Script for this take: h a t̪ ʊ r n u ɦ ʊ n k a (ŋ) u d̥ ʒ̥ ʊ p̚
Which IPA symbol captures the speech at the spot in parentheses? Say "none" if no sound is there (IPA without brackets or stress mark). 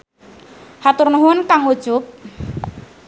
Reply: ŋ